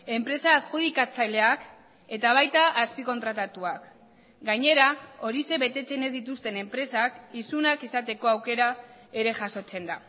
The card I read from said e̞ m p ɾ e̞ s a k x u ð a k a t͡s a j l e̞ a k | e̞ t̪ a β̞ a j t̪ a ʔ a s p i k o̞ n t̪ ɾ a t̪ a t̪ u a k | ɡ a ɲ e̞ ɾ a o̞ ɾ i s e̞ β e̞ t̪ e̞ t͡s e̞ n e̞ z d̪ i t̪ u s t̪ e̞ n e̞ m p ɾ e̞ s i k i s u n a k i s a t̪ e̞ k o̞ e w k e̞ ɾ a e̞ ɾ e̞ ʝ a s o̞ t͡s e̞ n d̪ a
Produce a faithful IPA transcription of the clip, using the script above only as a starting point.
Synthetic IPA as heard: e̞ m p ɾ e̞ s a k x u ð i k a t͡s a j l e̞ a k | e̞ t̪ a β̞ a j t̪ a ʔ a s p i k o̞ n t̪ ɾ a t̪ a t̪ u a k | ɡ a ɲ e̞ ɾ a o̞ ɾ i s e̞ β e̞ t̪ e̞ t͡s e̞ n e̞ z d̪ i t̪ u s t̪ e̞ n e̞ m p ɾ e̞ s a k i s u n a k i s a t̪ e̞ k o̞ a w k e̞ ɾ a e̞ ɾ e̞ ʝ a s o̞ t͡s e̞ n d̪ a